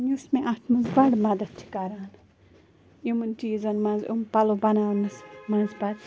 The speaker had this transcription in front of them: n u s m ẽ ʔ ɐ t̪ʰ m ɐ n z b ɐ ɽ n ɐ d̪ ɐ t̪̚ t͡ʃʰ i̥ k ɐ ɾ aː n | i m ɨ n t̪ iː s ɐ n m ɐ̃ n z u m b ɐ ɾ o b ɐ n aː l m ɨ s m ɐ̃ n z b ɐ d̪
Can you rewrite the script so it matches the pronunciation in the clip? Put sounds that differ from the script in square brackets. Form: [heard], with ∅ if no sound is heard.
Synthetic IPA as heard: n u s m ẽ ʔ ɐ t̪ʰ m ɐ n z b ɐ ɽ [m] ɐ d̪ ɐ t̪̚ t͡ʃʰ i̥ k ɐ ɾ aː n | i m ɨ n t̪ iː [z] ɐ n m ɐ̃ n z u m [p] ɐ [l] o b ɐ n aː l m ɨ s m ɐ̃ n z b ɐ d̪